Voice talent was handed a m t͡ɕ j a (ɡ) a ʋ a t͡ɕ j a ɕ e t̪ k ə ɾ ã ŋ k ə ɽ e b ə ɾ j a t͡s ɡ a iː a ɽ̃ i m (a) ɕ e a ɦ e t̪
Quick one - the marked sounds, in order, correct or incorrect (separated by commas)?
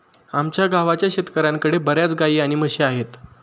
correct, incorrect